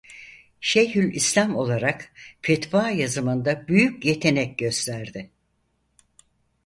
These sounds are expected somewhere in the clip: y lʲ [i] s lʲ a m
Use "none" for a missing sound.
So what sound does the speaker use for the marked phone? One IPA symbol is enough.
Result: i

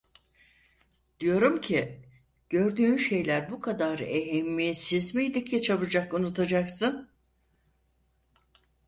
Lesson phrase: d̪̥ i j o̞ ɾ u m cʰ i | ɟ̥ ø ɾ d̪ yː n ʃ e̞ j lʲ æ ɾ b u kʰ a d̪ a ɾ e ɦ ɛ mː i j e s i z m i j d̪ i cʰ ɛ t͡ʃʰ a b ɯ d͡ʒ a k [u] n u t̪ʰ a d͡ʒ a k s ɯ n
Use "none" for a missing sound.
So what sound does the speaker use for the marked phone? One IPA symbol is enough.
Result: u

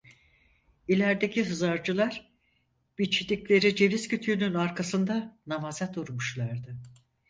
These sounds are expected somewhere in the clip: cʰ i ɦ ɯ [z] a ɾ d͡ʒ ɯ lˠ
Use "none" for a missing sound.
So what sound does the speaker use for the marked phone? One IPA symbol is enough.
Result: z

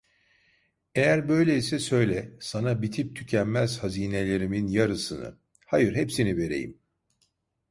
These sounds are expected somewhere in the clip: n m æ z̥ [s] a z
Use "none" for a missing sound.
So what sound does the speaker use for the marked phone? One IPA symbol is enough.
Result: h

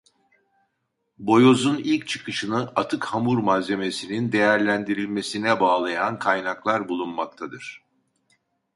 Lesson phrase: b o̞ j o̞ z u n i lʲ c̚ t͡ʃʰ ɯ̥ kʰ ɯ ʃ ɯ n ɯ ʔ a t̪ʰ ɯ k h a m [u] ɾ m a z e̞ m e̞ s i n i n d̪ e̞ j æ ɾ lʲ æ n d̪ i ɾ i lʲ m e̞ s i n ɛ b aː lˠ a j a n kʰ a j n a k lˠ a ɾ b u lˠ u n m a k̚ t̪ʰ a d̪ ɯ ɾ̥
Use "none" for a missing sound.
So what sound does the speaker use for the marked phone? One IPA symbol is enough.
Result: u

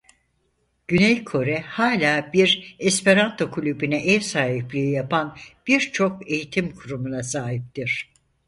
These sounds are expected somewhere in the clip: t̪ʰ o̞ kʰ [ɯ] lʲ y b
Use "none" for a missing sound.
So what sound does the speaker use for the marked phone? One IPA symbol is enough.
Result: u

